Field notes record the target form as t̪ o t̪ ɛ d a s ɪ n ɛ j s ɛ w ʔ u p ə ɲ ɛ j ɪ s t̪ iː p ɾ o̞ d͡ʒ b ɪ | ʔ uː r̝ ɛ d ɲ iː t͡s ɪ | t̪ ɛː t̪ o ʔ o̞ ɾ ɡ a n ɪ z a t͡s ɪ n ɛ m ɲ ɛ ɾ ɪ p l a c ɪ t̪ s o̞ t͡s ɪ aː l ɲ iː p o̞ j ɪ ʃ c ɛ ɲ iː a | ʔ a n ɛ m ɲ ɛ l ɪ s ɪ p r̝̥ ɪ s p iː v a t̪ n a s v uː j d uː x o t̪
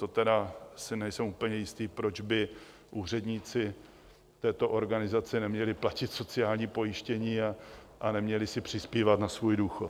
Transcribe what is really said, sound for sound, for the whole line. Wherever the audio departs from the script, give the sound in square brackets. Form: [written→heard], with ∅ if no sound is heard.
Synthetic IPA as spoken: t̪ o t̪ ɛ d a s ɪ n ɛ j s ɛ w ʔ u p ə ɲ ɛ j ɪ s t̪ iː p ɾ o̞ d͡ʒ b ɪ | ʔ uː r̝ ɛ d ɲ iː t͡s ɪ | t̪ ɛː t̪ o ʔ o̞ ɾ ɡ a n ɪ z a t͡s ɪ n ɛ m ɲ ɛ [ɾ→l] ɪ p l a c ɪ t̪ s o̞ t͡s ɪ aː l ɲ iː p o̞ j ɪ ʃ c ɛ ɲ iː a | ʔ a n ɛ m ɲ ɛ l ɪ s ɪ p r̝̥ ɪ s p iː v a t̪ n a s v uː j d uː x o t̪

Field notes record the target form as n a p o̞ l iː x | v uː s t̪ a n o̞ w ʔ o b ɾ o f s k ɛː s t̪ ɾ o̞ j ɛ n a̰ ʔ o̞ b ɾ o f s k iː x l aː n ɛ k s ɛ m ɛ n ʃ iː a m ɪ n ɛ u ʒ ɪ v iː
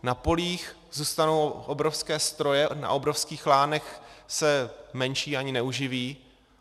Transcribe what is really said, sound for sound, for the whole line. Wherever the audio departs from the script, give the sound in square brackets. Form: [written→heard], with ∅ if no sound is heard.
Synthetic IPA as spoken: n a p o̞ l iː x | [v→z] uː s t̪ a n o̞ w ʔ o b ɾ o f s k ɛː s t̪ ɾ o̞ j ɛ n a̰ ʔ o̞ b ɾ o f s k iː x l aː n ɛ [k→x] s ɛ m ɛ n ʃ iː a [m→ɲ] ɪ n ɛ u ʒ ɪ v iː

